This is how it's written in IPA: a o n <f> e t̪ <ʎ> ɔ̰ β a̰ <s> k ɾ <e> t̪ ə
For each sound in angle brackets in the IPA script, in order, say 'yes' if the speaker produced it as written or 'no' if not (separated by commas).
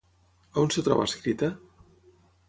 no, no, yes, no